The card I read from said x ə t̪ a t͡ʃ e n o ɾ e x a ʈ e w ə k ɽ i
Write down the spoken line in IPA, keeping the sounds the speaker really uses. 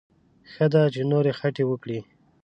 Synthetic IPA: x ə d̪ a t͡ʃ e n o ɾ e x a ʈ e w ə k ɽ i

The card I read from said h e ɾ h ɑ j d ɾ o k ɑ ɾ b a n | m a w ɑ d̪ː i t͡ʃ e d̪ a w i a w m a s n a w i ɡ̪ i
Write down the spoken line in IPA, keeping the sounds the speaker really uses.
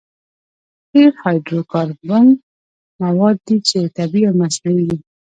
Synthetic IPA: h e ɾ h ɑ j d ɾ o k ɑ ɾ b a n | m a w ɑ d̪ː i t͡ʃ e t̪ a b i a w m a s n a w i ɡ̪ i

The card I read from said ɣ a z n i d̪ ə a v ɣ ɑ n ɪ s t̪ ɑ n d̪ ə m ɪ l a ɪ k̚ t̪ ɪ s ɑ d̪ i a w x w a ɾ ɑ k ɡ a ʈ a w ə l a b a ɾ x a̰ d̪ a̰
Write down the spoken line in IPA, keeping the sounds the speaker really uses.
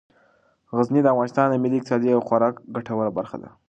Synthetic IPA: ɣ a z n i d̪ ə a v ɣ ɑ n ɪ s t̪ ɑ n d̪ ə m ɪ l i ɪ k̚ t̪ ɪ s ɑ d̪ i a w x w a ɾ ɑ k ɡ a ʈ a w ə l a b a ɾ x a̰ d̪ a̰

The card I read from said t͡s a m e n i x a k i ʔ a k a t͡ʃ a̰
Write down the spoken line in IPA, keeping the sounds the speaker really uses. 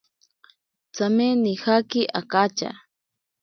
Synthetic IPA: t͡s a m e n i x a k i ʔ a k a t͡ʃ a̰

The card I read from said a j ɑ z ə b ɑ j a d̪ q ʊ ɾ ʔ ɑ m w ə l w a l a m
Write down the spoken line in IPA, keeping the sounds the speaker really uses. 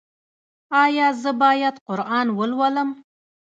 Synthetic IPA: ɑ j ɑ z ə b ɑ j a d̪ q ʊ ɾ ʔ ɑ n w ə l w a l ə m

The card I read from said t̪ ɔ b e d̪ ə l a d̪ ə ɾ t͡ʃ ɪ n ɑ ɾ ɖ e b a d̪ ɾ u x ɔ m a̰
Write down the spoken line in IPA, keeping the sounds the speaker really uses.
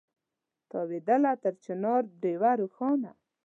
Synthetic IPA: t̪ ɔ w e d̪ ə l a t̪ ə ɾ t͡ʃ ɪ n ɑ ɾ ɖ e w a ɾ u x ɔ n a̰

